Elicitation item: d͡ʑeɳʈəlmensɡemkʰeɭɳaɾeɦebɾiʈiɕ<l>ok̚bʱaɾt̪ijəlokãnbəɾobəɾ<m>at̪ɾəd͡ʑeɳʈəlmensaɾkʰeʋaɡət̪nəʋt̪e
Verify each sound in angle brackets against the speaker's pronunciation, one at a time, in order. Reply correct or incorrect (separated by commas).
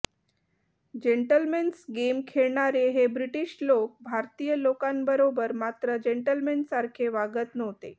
correct, correct